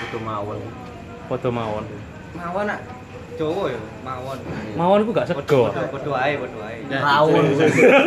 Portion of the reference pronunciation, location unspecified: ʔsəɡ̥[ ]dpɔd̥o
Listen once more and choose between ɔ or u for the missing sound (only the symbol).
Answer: ɔ